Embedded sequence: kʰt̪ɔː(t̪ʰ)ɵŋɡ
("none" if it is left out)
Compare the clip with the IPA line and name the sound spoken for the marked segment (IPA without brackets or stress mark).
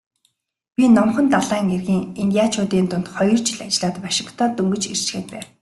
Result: t̪